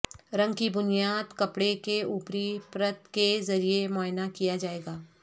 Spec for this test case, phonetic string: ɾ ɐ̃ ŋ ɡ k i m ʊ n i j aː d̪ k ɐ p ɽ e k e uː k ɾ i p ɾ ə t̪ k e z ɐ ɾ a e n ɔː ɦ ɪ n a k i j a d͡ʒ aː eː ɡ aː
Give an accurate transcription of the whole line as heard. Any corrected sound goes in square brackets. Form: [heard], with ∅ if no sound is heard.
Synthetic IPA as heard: ɾ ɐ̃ ŋ ɡ k i [b] ʊ n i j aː d̪ k ɐ p ɽ e k e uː [p] ɾ i p ɾ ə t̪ k e z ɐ ɾ [i] e [m] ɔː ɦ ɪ n a k i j a d͡ʒ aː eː ɡ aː

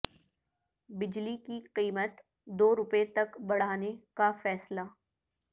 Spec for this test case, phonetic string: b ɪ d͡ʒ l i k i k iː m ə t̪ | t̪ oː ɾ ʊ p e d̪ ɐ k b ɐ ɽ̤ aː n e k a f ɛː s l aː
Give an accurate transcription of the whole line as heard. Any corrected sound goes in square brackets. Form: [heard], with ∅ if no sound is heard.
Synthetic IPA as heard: b ɪ d͡ʒ l i k i [q] iː m ə t̪ | [d̪] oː ɾ ʊ p e [t̪] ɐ k b ɐ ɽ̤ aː n e k a f ɛː s l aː

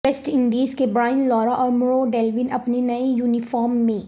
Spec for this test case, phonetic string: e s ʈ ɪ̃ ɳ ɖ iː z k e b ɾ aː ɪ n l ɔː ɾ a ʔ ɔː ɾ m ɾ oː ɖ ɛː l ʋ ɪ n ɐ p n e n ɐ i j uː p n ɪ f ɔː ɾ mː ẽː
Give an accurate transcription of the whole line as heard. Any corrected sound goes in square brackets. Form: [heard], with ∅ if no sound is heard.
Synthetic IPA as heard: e s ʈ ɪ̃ ɳ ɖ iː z k e b ɾ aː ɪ n l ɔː ɾ a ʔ ɔː ɾ m ɾ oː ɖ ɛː l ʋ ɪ n ɐ p n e n ɐ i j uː [∅] n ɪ f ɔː ɾ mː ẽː

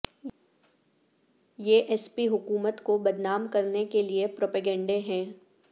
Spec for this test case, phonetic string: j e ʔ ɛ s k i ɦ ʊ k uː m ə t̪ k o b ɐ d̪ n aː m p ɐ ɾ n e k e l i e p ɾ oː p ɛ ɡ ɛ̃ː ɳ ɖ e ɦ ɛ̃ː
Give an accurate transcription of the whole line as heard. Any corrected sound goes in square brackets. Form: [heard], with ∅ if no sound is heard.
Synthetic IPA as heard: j e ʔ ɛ s [p] i ɦ ʊ k uː m ə t̪ k o b ɐ d̪ n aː m [k] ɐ ɾ n e k e l i e p ɾ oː p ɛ ɡ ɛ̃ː ɳ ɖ e ɦ ɛ̃ː

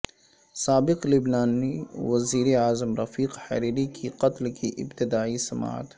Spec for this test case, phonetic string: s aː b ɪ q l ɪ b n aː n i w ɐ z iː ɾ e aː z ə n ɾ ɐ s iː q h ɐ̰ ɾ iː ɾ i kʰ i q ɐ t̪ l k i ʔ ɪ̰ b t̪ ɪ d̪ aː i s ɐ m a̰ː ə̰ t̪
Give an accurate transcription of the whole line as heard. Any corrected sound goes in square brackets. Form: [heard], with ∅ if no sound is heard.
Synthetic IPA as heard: s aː b ɪ q l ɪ b n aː n i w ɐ z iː ɾ e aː z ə [m] ɾ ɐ [f] iː q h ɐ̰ ɾ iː ɾ i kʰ i q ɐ t̪ l k i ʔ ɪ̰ b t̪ ɪ d̪ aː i s ɐ m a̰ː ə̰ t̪

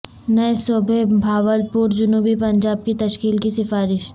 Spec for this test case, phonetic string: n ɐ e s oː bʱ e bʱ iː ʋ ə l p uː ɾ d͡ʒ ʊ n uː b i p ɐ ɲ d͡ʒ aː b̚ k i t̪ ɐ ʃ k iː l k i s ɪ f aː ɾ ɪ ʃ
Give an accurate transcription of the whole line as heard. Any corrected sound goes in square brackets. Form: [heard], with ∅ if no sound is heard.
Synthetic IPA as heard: n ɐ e s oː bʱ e bʱ [aː] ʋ ə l p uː ɾ d͡ʒ ʊ n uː b i p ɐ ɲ d͡ʒ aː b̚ k i t̪ ɐ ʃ k iː l k i s ɪ f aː ɾ ɪ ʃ

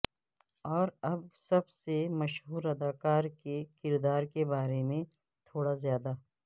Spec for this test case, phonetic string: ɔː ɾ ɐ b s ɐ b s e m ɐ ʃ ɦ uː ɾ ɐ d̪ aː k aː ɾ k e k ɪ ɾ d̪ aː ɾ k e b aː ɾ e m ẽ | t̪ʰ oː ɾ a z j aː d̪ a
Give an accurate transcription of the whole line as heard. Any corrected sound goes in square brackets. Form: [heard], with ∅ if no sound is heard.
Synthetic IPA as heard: ɔː ɾ ɐ b s ɐ b s e m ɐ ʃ ɦ uː ɾ ɐ d̪ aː k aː ɾ k e k ɪ ɾ d̪ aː ɾ k e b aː ɾ e m ẽ | t̪ʰ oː [ɽ] a z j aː d̪ a

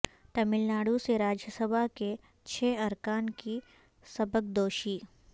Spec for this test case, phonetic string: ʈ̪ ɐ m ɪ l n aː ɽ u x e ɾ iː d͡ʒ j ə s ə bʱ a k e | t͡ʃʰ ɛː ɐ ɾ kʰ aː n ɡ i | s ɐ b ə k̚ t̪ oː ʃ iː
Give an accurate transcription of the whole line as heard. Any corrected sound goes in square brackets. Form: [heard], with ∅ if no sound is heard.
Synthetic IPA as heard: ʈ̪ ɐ m ɪ l n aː ɽ u [s] e ɾ [aː] d͡ʒ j ə s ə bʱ a k e | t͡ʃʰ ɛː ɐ ɾ [k] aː n [k] i | s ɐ b ə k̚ [d̪] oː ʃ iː

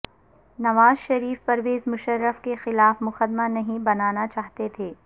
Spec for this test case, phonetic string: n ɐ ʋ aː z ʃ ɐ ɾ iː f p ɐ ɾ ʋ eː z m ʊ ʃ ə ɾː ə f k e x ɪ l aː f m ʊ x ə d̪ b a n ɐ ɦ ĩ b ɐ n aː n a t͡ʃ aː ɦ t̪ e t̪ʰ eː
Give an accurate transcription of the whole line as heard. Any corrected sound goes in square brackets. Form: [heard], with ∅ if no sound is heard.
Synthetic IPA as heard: n ɐ ʋ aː z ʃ ɐ ɾ iː f p ɐ ɾ ʋ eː z m ʊ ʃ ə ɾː ə f k e x ɪ l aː f m ʊ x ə d̪ [m] a n ɐ ɦ ĩ b ɐ n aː n a t͡ʃ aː ɦ t̪ e t̪ʰ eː

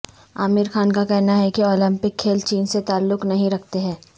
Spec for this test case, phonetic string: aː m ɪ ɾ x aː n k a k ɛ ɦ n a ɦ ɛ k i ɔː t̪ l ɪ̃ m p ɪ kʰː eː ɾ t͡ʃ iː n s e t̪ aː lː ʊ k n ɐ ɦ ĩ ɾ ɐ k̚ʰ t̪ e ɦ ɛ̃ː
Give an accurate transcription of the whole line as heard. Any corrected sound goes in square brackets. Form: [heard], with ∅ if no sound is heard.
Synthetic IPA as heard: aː m ɪ ɾ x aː n k a k ɛ ɦ n a ɦ ɛ k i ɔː [∅] l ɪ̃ m p ɪ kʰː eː [l] t͡ʃ iː n s e t̪ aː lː ʊ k n ɐ ɦ ĩ ɾ ɐ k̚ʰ t̪ e ɦ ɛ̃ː

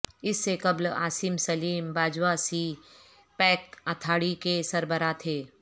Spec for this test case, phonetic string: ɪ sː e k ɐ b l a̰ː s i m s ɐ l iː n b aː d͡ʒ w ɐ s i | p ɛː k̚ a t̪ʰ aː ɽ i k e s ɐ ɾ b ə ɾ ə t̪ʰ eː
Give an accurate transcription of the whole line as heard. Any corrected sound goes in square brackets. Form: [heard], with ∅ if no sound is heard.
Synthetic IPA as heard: ɪ sː e k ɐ b l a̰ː s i m s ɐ l iː [m] b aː d͡ʒ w [a] s i | p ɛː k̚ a t̪ʰ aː ɽ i k e s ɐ ɾ b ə ɾ [a] t̪ʰ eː

